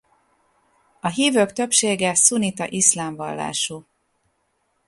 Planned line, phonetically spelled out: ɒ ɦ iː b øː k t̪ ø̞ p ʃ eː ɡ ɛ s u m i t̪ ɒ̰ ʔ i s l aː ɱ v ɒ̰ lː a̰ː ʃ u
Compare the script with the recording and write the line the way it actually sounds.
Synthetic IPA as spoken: ɒ ɦ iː v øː k t̪ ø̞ p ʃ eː ɡ ɛ s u n i t̪ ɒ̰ ʔ i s l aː ɱ v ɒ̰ lː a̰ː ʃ u

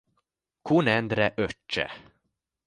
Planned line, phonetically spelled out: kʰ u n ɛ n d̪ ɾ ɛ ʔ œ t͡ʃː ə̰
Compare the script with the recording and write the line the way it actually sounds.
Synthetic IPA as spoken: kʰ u n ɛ n d̪ ɾ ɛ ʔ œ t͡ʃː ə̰

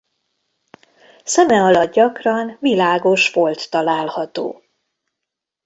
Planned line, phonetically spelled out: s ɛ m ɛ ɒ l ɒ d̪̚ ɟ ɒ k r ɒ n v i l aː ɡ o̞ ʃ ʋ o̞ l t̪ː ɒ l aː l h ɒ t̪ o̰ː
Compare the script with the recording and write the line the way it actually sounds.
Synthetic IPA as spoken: s ɛ m ɛ ɒ l ɒ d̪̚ ɟ ɒ k r ɒ n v i l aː ɡ o̞ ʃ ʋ o̞ l t̪ː ɒ l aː l h ɒ t̪ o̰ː

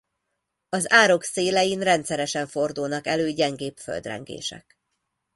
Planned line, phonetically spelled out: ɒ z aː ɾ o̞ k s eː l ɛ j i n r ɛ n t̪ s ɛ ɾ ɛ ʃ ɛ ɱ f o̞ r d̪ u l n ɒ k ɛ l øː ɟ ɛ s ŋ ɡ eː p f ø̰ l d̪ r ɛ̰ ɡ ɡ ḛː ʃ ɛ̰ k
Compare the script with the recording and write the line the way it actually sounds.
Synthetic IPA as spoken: ɒ z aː ɾ o̞ k s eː l ɛ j i n r ɛ n t̪ s ɛ ɾ ɛ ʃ ɛ ɱ f o̞ r d̪ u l n ɒ k ɛ l øː ɟ ɛ ŋ ɡ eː p f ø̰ l d̪ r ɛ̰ ŋ ɡ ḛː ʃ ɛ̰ k

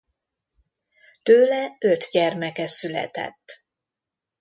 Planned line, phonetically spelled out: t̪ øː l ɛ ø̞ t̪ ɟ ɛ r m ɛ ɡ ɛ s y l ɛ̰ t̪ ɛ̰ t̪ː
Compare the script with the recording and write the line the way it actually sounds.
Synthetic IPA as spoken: t̪ øː l ɛ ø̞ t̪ ɟ ɛ r m ɛ k ɛ s y l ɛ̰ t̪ ɛ̰ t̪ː

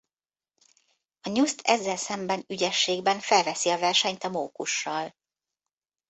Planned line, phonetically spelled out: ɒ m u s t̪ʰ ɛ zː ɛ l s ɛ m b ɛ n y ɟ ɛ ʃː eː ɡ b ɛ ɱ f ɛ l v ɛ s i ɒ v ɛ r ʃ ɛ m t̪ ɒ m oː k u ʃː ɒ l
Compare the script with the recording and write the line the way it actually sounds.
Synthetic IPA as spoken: ɒ ɲ u s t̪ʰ ɛ zː ɛ l s ɛ m b ɛ n y ɟ ɛ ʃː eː ɡ b ɛ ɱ f ɛ l v ɛ s i ɒ v ɛ r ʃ ɛ ɲ t̪ ɒ m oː k u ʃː ɒ l

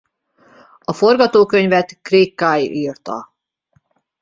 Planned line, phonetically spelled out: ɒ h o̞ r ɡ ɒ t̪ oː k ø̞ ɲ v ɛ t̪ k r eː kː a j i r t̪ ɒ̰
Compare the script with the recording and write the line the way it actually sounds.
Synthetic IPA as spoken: ɒ f o̞ r ɡ ɒ t̪ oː k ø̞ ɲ v ɛ t̪ k r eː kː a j i r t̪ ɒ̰

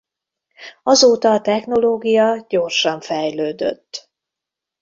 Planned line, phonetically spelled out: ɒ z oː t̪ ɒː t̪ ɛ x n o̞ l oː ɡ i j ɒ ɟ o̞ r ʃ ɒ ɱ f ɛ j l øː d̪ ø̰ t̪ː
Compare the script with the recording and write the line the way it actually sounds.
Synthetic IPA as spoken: ɒ z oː t̪ ɒː t̪ ɛ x n o̞ l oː ɡ i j ɒ ɟ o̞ r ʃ ɒ ɱ f ɛ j l øː d̪ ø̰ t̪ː

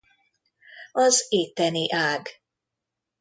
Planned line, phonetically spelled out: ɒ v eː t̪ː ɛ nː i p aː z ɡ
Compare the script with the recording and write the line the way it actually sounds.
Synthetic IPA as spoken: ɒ z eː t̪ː ɛ n i ʔ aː ɡ

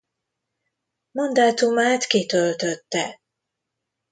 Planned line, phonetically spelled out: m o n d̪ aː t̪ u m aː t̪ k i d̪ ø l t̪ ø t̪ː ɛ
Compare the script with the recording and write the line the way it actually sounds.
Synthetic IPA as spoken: m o n d̪ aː t̪ u m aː t̪ k i t̪ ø l t̪ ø t̪ː ɛ

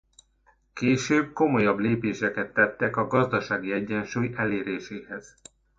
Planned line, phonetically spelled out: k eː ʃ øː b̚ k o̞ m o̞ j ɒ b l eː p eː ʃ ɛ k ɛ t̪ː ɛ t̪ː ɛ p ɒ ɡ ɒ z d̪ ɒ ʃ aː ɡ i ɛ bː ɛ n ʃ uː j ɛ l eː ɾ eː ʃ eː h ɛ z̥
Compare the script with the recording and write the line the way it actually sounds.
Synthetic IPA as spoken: k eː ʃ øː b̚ k o̞ m o̞ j ɒ b l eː p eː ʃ ɛ k ɛ t̪ː ɛ t̪ː ɛ k ɒ ɡ ɒ z d̪ ɒ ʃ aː ɡ i ɛ ɟː ɛ n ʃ uː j ɛ l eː ɾ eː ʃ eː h ɛ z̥

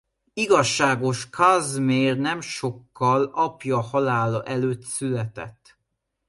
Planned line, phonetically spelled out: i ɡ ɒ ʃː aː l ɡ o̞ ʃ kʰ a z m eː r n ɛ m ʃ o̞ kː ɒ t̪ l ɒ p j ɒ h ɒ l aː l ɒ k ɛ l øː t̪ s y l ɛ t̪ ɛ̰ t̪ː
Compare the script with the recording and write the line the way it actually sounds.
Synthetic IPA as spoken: i ɡ ɒ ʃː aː ɡ o̞ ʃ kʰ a z m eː r n ɛ m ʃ o̞ kː ɒ l ɒ p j ɒ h ɒ l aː l ɒ ʔ ɛ l øː t̪ s y l ɛ t̪ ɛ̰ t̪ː

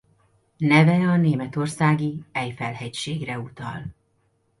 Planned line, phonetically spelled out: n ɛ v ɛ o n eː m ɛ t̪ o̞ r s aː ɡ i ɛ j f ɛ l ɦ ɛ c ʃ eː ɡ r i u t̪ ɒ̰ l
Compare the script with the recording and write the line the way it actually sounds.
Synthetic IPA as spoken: n ɛ v ɛ ɒ n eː m ɛ t̪ o̞ r s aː ɡ i ɛ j f ɛ l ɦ ɛ c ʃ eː ɡ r ɛ u t̪ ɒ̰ l

